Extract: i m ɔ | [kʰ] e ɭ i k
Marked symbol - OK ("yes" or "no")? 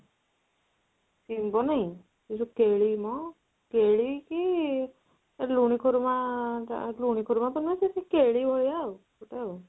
no